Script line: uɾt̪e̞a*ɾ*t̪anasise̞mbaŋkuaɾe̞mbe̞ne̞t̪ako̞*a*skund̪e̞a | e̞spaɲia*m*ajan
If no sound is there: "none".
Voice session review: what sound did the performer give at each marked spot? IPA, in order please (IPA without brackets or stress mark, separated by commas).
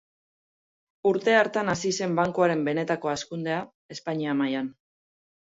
ɾ, a, m